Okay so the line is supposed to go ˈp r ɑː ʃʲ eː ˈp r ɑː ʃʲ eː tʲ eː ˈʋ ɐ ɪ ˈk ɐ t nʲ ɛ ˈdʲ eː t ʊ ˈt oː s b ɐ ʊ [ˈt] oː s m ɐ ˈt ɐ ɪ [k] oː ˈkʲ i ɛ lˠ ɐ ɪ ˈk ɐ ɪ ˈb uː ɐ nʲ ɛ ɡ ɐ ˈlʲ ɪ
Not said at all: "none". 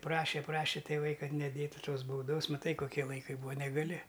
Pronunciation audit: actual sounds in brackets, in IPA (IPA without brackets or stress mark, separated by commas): d, k